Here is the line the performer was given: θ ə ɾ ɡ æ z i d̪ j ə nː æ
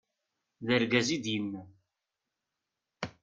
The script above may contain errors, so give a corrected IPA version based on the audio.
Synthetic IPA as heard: ð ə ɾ ɡ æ z i d̪ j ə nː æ

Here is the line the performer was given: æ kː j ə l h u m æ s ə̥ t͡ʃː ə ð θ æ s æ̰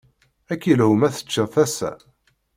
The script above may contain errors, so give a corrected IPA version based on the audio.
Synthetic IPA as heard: æ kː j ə l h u m æ θ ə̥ t͡ʃː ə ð θ æ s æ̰

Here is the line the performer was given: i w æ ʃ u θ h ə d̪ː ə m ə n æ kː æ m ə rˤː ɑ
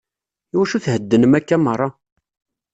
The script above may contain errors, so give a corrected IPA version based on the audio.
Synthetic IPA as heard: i w æ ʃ u θ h ə d̪ː ə n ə m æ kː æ m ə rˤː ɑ

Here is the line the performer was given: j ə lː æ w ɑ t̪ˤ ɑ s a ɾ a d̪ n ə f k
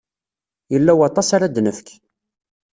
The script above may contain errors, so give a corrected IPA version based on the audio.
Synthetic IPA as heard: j ə lː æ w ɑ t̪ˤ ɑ s a ɾ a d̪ n ə f k

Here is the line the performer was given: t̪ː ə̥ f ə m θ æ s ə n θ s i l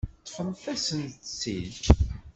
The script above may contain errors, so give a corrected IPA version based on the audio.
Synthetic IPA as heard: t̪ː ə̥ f ə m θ æ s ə n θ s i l

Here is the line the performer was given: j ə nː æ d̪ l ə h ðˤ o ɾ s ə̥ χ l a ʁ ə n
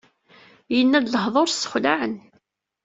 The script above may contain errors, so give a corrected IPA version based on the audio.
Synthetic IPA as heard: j ə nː æ d̪ l ə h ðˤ o ɾ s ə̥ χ l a ʕ ə n

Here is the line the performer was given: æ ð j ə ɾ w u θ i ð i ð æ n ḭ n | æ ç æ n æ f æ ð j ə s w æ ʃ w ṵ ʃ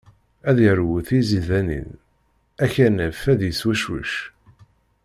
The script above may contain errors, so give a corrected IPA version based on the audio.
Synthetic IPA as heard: æ ð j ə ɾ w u θ i z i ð æ n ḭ n | æ ç æ n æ f æ ð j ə s w æ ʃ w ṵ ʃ

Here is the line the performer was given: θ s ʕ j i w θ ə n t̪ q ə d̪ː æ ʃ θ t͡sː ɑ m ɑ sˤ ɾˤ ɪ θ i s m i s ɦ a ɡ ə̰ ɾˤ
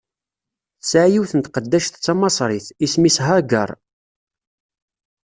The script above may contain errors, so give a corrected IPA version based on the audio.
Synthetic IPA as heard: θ s ʕ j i w θ ə n t̪ q ə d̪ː æ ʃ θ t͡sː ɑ m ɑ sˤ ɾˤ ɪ θ i s m i s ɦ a ɡ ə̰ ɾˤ

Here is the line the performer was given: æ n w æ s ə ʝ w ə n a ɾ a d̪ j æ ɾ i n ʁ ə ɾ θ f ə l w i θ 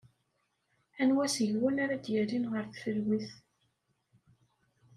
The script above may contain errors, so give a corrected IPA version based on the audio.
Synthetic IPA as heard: æ n w æ s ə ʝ w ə n a ɾ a d̪ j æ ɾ i n ʁ ə ɾ θ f ə l w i θ

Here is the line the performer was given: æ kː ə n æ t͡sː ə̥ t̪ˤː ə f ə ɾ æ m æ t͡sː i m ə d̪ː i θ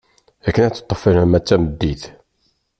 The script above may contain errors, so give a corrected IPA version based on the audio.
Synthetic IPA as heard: æ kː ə n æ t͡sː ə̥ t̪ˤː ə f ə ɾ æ m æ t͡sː æ m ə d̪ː i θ

